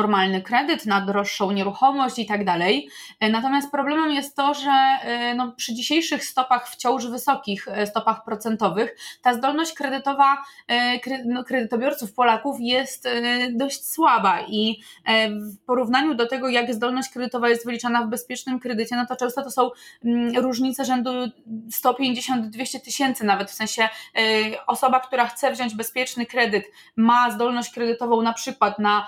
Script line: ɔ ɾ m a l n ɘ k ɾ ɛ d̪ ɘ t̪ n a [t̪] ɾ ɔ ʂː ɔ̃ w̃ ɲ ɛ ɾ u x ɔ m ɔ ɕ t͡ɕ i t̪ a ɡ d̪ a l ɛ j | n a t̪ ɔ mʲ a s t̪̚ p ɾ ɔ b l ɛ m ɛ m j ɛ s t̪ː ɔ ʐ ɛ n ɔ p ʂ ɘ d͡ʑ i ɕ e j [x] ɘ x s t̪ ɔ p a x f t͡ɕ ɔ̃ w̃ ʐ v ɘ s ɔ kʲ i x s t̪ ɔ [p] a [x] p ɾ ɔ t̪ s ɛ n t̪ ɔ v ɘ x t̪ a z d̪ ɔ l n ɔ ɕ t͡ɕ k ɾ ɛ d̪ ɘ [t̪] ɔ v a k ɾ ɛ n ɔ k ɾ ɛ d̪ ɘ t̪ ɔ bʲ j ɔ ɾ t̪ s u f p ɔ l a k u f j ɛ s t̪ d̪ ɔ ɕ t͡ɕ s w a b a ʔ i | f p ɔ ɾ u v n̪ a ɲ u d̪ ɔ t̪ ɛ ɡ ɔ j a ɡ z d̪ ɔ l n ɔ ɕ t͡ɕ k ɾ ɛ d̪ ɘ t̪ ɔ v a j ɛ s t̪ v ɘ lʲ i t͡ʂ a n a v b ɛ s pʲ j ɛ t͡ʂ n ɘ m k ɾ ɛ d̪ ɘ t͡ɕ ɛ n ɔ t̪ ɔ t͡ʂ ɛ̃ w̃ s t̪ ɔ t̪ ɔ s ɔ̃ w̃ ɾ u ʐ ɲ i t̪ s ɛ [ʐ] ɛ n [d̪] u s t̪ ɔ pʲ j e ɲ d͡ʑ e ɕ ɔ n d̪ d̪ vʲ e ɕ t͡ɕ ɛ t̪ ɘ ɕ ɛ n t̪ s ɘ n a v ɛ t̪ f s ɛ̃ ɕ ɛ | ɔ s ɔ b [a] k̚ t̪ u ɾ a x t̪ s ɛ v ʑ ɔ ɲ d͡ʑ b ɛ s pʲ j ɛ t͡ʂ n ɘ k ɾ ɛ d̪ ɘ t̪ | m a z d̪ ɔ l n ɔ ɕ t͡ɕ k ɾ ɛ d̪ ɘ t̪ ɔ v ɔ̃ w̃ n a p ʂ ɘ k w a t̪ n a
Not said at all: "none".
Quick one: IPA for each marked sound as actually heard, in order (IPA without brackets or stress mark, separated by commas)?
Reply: d̪, ʂ, p, x, t̪, ʐ, d̪, a